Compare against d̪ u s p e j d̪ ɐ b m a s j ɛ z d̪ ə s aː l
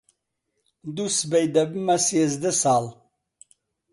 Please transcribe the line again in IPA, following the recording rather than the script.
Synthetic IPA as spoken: d̪ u s b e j d̪ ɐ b m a s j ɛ z d̪ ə s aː l